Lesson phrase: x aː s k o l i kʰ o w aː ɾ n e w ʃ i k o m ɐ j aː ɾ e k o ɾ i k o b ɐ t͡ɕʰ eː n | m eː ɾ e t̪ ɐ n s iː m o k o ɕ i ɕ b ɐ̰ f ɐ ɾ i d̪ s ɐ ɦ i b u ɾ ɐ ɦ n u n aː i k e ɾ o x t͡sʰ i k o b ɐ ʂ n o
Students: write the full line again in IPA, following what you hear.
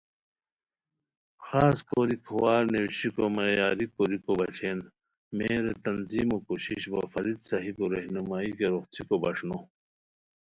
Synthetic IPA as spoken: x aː s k o ɾ i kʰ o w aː ɾ n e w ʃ i k o m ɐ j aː ɾ i k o ɾ i k o b ɐ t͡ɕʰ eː n | m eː ɾ e t̪ ɐ n z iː m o k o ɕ i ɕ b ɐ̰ f ɐ ɾ i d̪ s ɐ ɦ i b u ɾ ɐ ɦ n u m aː i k e ɾ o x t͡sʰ i k o b ɐ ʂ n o